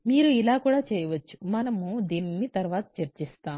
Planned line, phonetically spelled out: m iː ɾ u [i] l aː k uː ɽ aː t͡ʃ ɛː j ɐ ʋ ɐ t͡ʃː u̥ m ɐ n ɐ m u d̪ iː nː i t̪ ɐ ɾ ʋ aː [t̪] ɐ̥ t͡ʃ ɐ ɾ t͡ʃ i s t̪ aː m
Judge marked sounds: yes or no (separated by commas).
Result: yes, yes